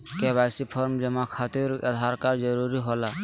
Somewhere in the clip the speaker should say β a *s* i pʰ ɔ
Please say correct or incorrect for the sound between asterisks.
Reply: correct